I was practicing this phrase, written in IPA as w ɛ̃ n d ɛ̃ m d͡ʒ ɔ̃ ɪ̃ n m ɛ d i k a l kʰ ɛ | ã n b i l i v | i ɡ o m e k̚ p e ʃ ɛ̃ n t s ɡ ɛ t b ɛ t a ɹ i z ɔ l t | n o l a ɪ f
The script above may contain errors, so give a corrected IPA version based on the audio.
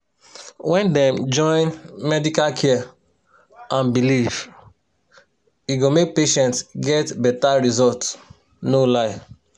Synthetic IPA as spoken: w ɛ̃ n d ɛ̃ m d͡ʒ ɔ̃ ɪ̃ n m ɛ d i k a l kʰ ɛ | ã n b i l i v | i ɡ o m e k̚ p e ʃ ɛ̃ n t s ɡ ɛ t b ɛ t a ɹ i z ɔ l t | n o l a ɪ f

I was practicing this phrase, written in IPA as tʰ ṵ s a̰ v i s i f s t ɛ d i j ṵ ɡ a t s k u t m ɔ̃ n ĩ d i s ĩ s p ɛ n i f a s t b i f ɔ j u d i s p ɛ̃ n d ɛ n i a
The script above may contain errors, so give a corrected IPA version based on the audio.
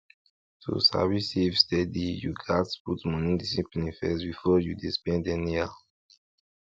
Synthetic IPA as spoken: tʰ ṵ s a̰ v i s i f s t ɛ d i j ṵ ɡ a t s p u t m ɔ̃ n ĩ d i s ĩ p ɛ n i f ɛ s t b i f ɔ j u d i s p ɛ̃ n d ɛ n i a

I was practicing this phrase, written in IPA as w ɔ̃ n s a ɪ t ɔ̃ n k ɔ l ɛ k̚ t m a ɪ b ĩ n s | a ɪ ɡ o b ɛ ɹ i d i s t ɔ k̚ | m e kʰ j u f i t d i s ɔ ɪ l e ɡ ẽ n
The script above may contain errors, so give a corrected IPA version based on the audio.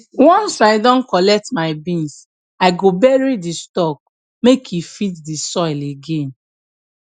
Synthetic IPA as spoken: w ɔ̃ n s a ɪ d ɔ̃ n k ɔ l ɛ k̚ t m a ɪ b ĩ n s | a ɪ ɡ o b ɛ ɹ i d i s t ɔ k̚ | m e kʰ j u f i t d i s ɔ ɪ l e ɡ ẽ n

